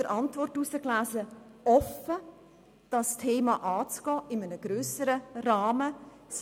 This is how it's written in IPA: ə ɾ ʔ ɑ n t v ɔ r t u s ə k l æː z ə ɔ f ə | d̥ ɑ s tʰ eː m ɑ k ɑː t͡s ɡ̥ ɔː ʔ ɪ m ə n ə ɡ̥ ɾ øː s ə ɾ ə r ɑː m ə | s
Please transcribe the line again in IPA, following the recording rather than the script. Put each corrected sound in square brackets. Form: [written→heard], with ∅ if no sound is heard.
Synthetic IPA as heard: ə ɾ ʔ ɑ n t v ɔ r t u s ə k l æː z ə ɔ f ə | d̥ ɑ s tʰ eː m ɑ [k→ʔ] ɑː t͡s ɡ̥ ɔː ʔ ɪ m ə n ə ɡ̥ ɾ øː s ə ɾ ə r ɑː m ə | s